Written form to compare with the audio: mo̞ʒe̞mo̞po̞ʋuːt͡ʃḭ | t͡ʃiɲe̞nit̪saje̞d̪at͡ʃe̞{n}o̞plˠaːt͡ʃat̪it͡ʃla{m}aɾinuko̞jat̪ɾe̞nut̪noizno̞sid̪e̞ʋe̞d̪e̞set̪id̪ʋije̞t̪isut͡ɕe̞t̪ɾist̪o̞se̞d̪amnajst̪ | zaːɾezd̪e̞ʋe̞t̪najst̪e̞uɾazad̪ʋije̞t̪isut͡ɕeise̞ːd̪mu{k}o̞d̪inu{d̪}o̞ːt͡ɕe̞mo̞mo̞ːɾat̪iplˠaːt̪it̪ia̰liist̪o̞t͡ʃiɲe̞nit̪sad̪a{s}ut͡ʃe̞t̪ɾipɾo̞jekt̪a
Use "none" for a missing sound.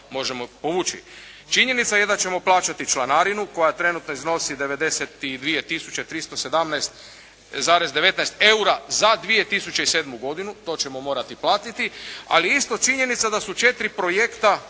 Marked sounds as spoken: m, n, ɡ, t̪, s

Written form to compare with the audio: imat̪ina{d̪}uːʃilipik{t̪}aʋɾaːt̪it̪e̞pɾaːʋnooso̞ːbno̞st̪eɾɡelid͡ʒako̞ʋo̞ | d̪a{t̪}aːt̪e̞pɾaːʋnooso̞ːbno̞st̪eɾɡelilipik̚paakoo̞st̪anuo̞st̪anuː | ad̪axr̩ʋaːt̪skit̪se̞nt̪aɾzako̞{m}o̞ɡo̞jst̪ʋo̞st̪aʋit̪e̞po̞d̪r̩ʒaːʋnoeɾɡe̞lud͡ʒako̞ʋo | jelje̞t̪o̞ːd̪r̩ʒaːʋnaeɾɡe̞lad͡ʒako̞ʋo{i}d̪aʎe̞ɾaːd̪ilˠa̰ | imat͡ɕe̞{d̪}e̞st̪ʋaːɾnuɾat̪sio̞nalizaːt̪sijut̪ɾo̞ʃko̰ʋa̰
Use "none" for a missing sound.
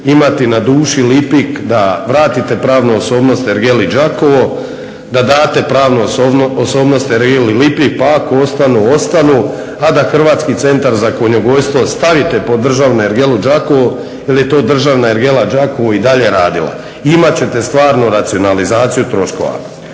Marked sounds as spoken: d̪, d̪, d̪, ɲ, i, t̪

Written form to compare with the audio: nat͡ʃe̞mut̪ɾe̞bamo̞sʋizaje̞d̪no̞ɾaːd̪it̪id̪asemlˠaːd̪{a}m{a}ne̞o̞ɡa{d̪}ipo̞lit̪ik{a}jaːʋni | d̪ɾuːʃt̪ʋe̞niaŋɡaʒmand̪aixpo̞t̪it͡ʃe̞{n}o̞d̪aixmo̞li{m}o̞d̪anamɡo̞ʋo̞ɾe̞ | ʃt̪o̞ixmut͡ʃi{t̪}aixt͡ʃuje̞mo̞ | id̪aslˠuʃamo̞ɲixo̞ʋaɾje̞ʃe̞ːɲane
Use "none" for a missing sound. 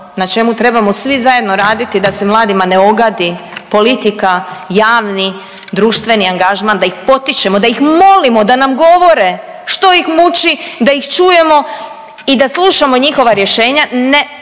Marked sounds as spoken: i, a, d̪, a, m, m, d̪

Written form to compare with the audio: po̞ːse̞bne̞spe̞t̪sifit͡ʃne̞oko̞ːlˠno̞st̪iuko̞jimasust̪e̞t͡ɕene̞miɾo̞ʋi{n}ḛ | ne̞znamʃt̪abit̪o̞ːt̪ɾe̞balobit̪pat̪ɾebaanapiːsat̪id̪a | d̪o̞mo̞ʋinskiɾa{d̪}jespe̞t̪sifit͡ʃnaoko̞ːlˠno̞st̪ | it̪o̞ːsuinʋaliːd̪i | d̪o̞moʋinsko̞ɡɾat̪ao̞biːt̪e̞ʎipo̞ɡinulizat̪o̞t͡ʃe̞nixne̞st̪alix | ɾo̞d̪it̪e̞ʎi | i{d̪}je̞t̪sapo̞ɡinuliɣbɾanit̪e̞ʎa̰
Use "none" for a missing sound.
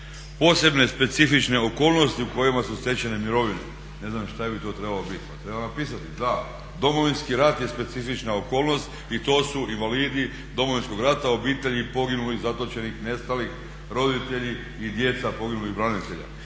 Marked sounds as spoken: n, t̪, d̪

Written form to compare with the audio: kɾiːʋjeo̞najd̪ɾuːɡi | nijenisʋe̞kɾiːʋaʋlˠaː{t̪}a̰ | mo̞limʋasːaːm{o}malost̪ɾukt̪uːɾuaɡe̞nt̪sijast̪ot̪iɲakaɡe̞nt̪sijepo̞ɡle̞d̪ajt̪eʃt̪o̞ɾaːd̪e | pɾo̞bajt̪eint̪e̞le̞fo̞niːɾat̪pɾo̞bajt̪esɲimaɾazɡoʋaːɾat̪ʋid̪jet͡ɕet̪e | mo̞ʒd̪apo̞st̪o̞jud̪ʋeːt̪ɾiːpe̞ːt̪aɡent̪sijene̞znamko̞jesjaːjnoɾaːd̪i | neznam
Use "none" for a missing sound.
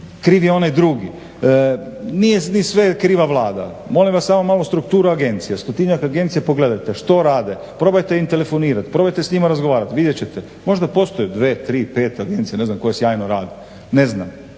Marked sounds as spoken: d̪, o

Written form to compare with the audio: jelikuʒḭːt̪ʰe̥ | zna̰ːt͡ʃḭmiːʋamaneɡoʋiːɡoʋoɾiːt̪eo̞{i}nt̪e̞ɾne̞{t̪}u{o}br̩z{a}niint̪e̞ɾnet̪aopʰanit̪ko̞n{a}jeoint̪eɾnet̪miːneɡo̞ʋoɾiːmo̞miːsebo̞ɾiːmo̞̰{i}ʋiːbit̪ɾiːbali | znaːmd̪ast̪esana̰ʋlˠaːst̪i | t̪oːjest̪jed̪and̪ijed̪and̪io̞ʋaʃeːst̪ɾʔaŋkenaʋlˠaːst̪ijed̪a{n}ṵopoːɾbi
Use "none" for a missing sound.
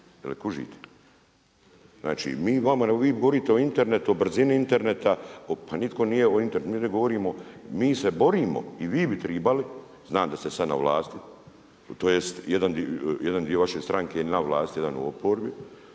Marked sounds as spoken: i, t̪, o, i, i, i, n

